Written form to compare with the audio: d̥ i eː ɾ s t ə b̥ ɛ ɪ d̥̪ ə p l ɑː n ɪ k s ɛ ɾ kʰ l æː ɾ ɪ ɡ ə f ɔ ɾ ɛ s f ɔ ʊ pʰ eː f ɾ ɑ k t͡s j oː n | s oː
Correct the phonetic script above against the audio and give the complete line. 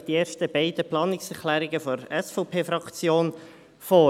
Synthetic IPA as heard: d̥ i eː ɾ ʃ t ə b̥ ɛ ɪ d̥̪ ə p l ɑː n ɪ k s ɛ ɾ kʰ l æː ɾ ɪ ɡ ə f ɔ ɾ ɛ s f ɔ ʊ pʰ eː f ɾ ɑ k t͡s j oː n | f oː